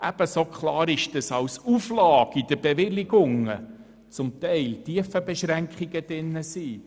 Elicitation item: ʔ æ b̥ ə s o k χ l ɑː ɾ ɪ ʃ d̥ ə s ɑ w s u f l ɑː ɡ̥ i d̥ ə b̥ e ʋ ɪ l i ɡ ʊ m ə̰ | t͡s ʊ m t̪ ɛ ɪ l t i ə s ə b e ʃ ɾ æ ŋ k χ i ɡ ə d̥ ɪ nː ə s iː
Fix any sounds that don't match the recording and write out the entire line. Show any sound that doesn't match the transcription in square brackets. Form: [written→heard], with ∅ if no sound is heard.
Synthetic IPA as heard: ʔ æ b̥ ə s o k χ l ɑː ɾ ɪ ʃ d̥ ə s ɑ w s u f l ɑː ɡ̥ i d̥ ə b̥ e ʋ ɪ l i ɡ ʊ [m→ŋ] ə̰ | t͡s ʊ m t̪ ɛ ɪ l t i ə [s→f] ə b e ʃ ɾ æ ŋ k χ i ɡ ə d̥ ɪ nː ə s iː